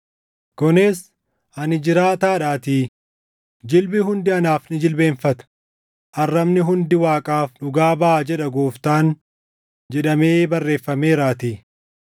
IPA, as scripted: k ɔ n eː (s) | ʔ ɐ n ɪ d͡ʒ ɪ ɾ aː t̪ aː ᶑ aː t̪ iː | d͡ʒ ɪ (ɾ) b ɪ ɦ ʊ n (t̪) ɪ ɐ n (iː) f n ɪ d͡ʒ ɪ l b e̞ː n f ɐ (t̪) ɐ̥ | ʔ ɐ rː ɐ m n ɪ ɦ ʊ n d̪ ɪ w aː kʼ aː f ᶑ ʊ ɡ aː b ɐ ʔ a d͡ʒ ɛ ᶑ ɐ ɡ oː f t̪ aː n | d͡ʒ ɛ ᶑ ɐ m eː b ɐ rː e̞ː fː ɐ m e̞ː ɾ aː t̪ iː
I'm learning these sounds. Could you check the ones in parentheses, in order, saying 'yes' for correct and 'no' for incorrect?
yes, no, no, no, yes

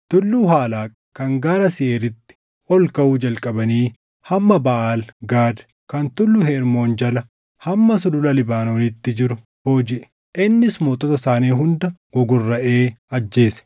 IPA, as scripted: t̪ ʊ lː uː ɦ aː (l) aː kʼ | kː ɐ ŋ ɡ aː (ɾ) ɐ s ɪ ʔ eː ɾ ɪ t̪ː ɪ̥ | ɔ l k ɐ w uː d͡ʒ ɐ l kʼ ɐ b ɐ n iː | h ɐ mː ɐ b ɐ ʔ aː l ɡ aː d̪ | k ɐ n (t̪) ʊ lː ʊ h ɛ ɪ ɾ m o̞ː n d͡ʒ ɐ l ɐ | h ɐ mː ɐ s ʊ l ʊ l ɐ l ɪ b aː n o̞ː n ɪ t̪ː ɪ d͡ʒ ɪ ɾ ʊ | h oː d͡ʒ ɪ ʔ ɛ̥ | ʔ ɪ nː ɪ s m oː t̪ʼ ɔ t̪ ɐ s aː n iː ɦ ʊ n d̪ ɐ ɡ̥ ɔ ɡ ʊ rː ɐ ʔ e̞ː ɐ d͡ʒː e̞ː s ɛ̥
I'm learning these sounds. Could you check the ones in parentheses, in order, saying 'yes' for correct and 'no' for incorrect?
yes, yes, yes

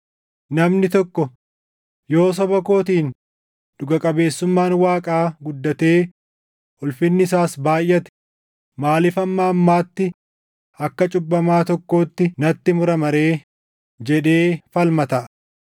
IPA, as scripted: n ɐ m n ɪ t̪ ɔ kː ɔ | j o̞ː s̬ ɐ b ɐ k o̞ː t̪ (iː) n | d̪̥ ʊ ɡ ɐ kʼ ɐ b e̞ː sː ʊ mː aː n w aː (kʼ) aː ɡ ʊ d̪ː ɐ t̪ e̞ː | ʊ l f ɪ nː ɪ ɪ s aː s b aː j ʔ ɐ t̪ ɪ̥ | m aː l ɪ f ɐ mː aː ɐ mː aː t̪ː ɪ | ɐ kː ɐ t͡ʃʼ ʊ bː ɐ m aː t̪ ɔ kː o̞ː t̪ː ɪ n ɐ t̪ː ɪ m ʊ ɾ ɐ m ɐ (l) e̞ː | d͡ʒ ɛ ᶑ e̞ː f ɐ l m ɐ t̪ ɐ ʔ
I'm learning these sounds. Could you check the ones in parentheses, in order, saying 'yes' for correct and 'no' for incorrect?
yes, yes, no

